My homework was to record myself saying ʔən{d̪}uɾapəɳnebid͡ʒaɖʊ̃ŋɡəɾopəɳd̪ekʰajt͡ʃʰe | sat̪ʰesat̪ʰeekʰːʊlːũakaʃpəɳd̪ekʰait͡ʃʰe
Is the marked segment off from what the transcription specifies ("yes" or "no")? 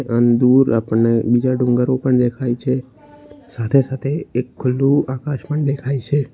no